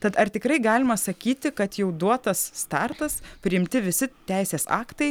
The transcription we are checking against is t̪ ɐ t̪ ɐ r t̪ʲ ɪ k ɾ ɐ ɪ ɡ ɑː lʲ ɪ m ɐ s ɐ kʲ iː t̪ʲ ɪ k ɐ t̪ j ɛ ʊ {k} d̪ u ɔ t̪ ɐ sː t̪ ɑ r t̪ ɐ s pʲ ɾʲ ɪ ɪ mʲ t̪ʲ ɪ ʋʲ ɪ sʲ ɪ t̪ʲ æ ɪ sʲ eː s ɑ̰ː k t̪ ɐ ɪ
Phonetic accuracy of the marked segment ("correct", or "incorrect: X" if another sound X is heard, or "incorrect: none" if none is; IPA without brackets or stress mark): incorrect: none